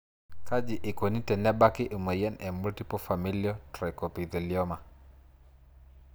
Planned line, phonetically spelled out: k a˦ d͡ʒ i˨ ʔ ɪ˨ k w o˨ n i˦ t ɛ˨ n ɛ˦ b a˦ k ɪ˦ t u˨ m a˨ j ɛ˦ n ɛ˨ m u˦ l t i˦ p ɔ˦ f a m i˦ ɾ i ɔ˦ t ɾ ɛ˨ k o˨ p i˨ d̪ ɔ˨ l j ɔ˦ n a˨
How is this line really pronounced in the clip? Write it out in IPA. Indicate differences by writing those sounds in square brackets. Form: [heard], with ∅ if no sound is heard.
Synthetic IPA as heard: k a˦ d͡ʒ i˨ ʔ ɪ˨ k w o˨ n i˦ t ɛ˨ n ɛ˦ b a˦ k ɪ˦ [ʔ] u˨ m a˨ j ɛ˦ n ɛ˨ m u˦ l t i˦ p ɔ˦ f a m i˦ [l] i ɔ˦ t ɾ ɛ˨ k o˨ p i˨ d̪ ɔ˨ l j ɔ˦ [m] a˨